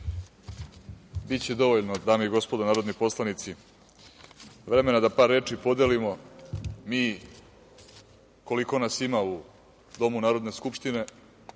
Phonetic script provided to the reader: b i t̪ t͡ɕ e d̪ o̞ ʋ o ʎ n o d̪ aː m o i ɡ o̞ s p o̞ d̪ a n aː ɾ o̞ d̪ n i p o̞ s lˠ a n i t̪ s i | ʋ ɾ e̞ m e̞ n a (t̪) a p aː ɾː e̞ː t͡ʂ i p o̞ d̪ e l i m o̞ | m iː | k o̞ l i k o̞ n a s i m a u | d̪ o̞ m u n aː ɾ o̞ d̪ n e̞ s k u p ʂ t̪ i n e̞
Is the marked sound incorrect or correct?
incorrect